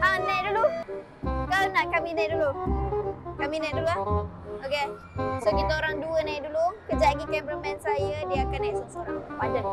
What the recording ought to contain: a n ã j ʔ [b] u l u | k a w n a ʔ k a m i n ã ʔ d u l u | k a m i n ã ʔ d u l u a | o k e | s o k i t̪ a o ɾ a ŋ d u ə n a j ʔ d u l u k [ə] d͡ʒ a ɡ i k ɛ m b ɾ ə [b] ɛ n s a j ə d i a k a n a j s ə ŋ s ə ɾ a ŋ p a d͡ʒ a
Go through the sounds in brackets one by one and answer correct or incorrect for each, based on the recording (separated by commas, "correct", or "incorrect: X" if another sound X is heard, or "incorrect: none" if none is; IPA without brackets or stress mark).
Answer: incorrect: d, correct, incorrect: m